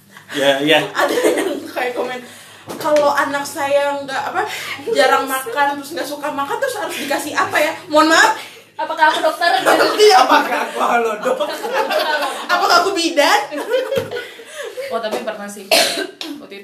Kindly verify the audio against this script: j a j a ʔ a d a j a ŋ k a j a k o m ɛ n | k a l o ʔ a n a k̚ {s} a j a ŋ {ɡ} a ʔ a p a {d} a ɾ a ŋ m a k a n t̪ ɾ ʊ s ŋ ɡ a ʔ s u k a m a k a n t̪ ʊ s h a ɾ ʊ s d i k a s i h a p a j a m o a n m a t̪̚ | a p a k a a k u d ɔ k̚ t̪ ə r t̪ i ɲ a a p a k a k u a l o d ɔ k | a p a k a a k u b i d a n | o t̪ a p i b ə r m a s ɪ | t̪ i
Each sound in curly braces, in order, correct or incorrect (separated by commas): correct, correct, incorrect